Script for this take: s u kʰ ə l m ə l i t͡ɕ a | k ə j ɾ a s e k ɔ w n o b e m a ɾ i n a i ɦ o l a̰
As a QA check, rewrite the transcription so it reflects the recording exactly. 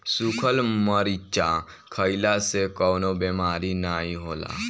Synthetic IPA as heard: s u kʰ ə l m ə ɾ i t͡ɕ a | kʰ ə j l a s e k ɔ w n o b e m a ɾ i n a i ɦ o l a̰